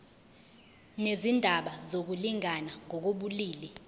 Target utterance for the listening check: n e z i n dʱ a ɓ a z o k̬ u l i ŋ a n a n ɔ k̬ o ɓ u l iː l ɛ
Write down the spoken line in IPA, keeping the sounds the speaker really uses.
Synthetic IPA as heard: n e z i n dʱ a ɓ a z o k̬ u l i ŋ a n a ŋ ɔ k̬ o ɓ u l iː l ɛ